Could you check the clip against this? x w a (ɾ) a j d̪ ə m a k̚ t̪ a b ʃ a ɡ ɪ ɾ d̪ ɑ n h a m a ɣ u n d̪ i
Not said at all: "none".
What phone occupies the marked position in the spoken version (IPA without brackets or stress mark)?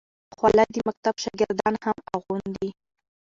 l